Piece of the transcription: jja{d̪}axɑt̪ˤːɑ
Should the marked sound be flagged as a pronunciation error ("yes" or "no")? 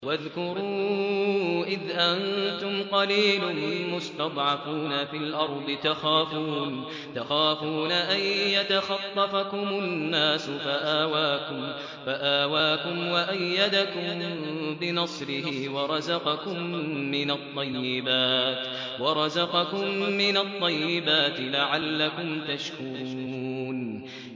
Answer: yes